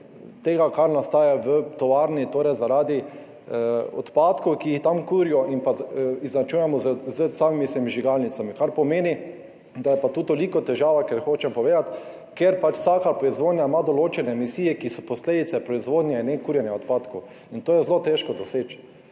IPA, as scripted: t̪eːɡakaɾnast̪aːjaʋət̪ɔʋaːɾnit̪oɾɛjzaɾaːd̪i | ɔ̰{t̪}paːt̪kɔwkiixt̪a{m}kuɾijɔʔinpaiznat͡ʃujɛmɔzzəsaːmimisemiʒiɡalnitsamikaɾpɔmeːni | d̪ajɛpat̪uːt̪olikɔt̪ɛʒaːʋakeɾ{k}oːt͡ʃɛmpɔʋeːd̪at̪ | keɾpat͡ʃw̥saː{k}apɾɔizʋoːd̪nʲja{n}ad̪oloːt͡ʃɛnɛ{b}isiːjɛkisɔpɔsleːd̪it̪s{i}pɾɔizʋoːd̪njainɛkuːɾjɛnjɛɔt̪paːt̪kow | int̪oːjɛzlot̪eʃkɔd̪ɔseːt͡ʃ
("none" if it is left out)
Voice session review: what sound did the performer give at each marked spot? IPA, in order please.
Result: t̪, m, x, k, m, m, ɛ

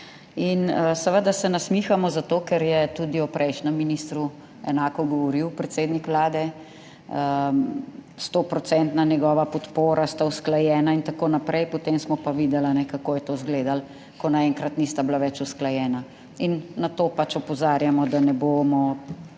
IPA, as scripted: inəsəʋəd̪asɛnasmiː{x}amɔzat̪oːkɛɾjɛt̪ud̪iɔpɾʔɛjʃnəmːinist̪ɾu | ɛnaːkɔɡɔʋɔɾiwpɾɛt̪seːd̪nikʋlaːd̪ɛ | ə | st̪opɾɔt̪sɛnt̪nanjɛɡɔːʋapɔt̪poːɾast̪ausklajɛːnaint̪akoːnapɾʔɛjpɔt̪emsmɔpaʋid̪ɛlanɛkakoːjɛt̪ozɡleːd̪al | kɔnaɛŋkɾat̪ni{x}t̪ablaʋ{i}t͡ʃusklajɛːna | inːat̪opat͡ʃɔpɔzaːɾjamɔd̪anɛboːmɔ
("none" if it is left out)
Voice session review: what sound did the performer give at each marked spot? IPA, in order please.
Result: x, s, ɛ

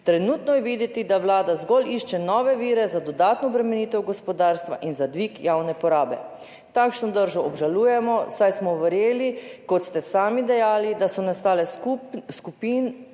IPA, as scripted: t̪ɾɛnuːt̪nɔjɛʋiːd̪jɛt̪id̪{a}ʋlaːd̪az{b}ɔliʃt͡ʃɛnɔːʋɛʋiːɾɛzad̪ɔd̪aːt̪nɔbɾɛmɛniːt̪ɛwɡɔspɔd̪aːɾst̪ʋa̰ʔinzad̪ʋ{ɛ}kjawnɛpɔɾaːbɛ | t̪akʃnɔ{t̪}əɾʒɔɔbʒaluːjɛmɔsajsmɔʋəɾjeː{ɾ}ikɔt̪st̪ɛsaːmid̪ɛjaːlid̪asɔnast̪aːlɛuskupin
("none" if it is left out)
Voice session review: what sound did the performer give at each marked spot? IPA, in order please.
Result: a, ɡ, i, d̪, l

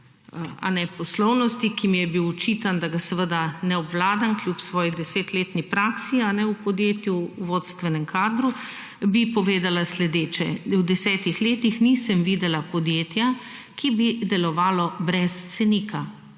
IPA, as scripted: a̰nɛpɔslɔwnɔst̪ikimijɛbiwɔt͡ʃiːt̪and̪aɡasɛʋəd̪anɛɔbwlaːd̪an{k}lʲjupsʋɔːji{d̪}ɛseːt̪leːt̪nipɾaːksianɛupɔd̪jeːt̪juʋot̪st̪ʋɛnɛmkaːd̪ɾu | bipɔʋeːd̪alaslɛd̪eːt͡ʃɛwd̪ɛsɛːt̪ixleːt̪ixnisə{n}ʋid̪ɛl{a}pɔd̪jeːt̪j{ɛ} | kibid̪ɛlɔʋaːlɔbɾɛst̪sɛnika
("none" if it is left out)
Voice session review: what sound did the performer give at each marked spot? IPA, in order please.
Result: k, d̪, m, a, a

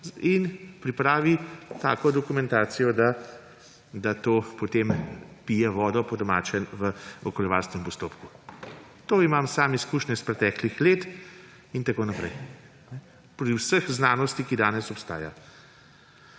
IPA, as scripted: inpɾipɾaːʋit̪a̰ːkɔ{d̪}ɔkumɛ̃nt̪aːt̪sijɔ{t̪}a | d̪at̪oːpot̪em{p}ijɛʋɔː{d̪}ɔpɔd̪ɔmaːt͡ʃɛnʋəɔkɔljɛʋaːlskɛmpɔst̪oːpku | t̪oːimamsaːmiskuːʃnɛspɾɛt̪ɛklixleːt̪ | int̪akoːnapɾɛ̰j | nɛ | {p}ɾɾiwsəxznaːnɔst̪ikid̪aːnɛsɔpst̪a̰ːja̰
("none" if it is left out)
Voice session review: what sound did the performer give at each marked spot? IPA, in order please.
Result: d̪, d̪, p, d̪, p

